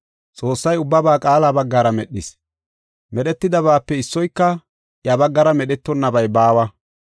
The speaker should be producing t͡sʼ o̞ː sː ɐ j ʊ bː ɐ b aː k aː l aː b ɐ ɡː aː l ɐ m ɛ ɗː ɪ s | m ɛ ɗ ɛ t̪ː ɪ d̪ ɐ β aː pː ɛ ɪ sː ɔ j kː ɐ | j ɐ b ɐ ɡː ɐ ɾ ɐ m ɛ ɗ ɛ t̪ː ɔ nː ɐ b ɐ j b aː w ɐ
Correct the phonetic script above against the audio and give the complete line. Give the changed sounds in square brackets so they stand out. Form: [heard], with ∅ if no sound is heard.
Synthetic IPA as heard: t͡sʼ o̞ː sː ɐ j ʊ bː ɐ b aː [kʼ] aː l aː b ɐ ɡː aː [ɾ] ɐ m ɛ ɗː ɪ s | m ɛ ɗ ɛ t̪ː ɪ d̪ ɐ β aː pː ɛ ɪ sː ɔ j kː ɐ | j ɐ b ɐ ɡː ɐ ɾ ɐ m ɛ ɗ ɛ t̪ː ɔ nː ɐ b ɐ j b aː w ɐ

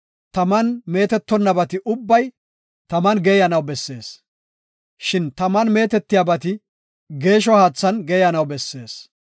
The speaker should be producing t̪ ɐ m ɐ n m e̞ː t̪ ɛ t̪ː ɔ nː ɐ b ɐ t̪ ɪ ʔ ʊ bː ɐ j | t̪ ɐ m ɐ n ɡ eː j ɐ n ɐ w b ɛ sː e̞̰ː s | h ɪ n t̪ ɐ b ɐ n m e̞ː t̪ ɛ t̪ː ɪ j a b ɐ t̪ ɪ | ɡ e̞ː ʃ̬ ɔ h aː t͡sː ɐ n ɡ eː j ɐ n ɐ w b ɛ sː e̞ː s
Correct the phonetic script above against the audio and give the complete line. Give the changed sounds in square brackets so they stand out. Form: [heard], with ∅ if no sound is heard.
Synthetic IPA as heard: t̪ ɐ m ɐ n m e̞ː t̪ ɛ t̪ː ɔ nː ɐ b ɐ t̪ ɪ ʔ ʊ bː ɐ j | t̪ ɐ m ɐ n ɡ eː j ɐ n ɐ w b ɛ sː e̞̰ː s | [ʃ] ɪ n t̪ ɐ [m] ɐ n m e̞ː t̪ ɛ t̪ː ɪ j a b ɐ t̪ ɪ | ɡ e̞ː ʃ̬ ɔ h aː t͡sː ɐ n ɡ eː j ɐ n ɐ w b ɛ sː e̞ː s

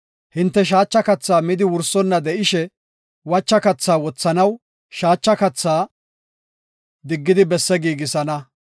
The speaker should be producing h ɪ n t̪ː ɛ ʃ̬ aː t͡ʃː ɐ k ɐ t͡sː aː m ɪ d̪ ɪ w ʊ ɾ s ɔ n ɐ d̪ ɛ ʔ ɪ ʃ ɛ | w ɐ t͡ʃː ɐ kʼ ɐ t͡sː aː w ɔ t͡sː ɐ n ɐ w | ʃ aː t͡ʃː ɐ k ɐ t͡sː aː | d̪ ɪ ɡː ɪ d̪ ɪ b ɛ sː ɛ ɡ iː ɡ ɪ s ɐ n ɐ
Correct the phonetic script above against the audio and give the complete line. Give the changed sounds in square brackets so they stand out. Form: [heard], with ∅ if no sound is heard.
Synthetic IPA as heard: h ɪ n t̪ː ɛ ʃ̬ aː t͡ʃː ɐ k ɐ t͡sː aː m ɪ d̪ ɪ w ʊ ɾ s ɔ [nː] ɐ d̪ ɛ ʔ ɪ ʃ ɛ | w ɐ t͡ʃː ɐ [k] ɐ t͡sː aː w ɔ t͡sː ɐ n ɐ w | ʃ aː t͡ʃː ɐ k ɐ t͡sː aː | d̪ ɪ ɡː ɪ d̪ ɪ b ɛ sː ɛ ɡ iː ɡ ɪ s ɐ n ɐ

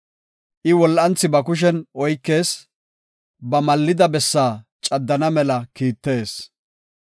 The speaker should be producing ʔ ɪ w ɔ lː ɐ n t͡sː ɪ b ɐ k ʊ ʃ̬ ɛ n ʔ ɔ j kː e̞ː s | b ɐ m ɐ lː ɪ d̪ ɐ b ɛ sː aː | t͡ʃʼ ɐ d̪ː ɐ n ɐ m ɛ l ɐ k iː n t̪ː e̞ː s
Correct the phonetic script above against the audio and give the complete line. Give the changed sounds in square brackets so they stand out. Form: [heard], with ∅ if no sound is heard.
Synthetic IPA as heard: ʔ ɪ w ɔ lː ɐ n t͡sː ɪ b ɐ k ʊ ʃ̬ ɛ n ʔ ɔ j kː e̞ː s | b ɐ m ɐ lː ɪ d̪ ɐ b ɛ sː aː | t͡ʃʼ ɐ d̪ː ɐ n ɐ m ɛ l ɐ k iː [∅] t̪ː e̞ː s

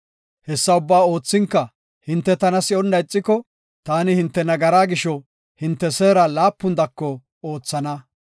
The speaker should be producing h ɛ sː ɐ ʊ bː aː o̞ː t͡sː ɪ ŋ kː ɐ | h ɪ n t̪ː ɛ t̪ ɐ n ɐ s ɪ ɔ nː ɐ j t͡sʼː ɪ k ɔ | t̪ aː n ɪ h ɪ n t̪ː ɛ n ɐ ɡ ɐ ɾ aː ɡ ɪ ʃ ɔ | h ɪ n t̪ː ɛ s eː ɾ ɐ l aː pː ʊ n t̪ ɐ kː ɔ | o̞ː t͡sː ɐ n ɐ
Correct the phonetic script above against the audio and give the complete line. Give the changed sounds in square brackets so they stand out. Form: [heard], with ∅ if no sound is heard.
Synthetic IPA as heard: h ɛ sː ɐ ʊ bː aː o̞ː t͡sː ɪ ŋ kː ɐ | h ɪ n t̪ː ɛ t̪ ɐ n ɐ s ɪ ɔ nː ɐ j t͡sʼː ɪ k ɔ | t̪ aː n ɪ h ɪ n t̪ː ɛ n ɐ ɡ ɐ ɾ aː ɡ ɪ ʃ ɔ | h ɪ n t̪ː ɛ s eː ɾ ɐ l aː pː ʊ n [d̪] ɐ kː ɔ | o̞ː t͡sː ɐ n ɐ

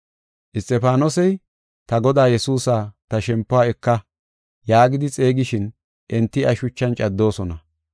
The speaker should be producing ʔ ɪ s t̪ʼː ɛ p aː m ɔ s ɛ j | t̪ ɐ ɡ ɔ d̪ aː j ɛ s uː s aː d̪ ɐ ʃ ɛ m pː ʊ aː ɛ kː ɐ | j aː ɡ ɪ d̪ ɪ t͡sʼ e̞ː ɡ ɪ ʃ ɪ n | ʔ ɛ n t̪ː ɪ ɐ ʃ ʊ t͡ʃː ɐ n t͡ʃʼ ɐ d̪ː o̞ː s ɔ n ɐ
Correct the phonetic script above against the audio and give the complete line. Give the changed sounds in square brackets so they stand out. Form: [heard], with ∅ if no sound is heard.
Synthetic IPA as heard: ʔ ɪ s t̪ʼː ɛ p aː [n] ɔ s ɛ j | t̪ ɐ ɡ ɔ d̪ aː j ɛ s uː s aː [t̪] ɐ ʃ ɛ m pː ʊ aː ɛ kː ɐ | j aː ɡ ɪ d̪ ɪ t͡sʼ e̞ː ɡ ɪ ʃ ɪ n | ʔ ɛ n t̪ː ɪ ɐ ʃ ʊ t͡ʃː ɐ n t͡ʃʼ ɐ d̪ː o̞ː s ɔ n ɐ

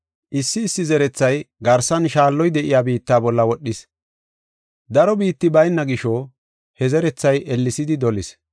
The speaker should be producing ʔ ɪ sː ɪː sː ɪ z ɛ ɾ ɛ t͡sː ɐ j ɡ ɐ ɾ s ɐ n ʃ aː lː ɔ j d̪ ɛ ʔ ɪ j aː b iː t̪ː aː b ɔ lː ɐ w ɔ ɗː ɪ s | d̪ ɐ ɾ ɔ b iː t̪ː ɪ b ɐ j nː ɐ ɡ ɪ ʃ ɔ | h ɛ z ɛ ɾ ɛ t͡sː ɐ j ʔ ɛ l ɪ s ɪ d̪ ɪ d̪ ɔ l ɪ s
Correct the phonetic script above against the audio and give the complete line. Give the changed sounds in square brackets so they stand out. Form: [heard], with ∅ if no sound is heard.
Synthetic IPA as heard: ʔ ɪ sː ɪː sː ɪ z ɛ ɾ ɛ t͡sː ɐ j ɡ ɐ ɾ s ɐ n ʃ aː lː ɔ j d̪ ɛ ʔ ɪ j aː b iː t̪ː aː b ɔ lː ɐ w ɔ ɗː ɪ s | d̪ ɐ ɾ ɔ b iː t̪ː ɪ b ɐ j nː ɐ ɡ ɪ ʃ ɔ | h ɛ z ɛ ɾ ɛ t͡sː ɐ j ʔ ɛ [lː] ɪ s ɪ d̪ ɪ d̪ ɔ l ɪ s

